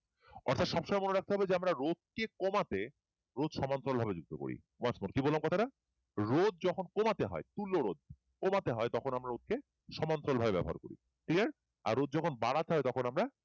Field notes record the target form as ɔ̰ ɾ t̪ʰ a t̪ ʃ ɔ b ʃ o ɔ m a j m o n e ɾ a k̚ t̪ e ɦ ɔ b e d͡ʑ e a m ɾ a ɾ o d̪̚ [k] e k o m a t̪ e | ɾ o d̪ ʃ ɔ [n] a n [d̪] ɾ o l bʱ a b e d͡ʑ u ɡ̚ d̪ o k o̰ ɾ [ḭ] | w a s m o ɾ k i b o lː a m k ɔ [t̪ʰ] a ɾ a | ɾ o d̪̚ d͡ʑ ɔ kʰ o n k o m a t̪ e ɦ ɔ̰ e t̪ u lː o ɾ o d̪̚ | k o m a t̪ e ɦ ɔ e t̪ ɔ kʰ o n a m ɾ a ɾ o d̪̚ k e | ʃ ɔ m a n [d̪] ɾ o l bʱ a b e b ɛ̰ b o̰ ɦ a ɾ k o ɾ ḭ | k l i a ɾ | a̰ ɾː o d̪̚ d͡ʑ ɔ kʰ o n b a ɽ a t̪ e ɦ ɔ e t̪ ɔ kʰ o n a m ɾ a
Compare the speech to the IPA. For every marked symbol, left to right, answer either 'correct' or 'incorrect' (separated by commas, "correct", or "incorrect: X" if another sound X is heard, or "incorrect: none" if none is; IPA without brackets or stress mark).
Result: correct, incorrect: m, incorrect: t̪, correct, correct, incorrect: t̪